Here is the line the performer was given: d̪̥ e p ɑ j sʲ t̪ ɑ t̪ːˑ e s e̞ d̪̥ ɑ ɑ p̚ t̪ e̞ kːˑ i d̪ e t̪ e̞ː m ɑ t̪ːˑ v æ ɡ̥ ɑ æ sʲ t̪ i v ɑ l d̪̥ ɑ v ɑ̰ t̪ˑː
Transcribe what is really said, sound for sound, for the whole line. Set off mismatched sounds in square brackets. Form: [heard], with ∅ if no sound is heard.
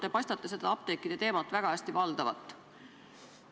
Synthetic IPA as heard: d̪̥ e p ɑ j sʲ t̪ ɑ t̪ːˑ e s e̞ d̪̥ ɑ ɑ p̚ t̪ e̞ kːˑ i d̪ e t̪ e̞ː m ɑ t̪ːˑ v æ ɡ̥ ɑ æ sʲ t̪ i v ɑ l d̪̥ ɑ v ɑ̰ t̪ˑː